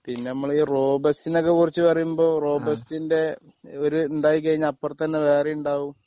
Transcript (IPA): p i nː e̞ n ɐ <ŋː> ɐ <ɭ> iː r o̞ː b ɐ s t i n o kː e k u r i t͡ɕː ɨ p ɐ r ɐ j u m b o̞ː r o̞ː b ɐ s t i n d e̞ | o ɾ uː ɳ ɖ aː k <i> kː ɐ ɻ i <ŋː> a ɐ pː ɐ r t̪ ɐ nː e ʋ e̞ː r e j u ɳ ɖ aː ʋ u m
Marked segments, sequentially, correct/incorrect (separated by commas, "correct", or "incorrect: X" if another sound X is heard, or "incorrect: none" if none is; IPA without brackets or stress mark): incorrect: mː, correct, correct, incorrect: ɲː